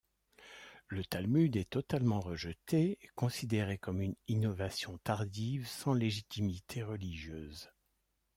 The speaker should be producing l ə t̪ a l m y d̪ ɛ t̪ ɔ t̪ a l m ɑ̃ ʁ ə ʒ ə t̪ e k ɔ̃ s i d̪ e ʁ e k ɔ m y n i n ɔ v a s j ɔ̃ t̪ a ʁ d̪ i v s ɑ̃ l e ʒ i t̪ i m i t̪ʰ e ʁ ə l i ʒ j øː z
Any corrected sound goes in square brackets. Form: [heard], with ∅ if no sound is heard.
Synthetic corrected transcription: l ə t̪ a l m y d̪ ɛ t̪ ɔ t̪ a l m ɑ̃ ʁ ə ʒ ə t̪ e k ɔ̃ s i d̪ e ʁ e k ɔ m y n i n ɔ v a s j ɔ̃ t̪ a ʁ d̪ i v s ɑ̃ l e ʒ i t̪ i m i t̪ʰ e ʁ ə l i ʒ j øː z